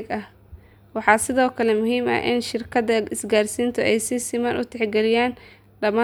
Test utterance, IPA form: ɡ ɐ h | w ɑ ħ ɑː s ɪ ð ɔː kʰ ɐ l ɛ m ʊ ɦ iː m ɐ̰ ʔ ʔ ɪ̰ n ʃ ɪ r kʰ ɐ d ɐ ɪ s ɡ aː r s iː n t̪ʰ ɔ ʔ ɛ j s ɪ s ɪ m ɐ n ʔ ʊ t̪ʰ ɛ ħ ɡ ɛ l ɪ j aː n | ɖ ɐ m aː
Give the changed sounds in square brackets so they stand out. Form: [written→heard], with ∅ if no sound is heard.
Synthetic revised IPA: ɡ ɐ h | w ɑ ħ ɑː s ɪ ð ɔː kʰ ɐ l ɛ m ʊ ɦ iː m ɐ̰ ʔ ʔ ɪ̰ n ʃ ɪ r kʰ ɐ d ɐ ɪ s ɡ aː r s iː n t̪ʰ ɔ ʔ ɛ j s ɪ s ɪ m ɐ n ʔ ʊ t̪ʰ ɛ ħ ɡ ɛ l ɪ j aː n | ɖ ɐ m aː